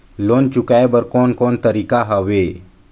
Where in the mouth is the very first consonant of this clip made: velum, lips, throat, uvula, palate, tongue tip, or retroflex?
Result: tongue tip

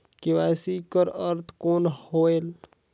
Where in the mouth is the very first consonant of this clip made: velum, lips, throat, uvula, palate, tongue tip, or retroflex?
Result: velum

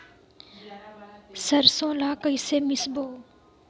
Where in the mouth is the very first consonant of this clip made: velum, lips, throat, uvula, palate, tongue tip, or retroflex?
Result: tongue tip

